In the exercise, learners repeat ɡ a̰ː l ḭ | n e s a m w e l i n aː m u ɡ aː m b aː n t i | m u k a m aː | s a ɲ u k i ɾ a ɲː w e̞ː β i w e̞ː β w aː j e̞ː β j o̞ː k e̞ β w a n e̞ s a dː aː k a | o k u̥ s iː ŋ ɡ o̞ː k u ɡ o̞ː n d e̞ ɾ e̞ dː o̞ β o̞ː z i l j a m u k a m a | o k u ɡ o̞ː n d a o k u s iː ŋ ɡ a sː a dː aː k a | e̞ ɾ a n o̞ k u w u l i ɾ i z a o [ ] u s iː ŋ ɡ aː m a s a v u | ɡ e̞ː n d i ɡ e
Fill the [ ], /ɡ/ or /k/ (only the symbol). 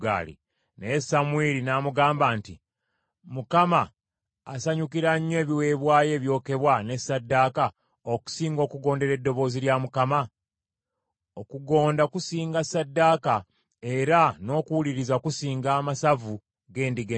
k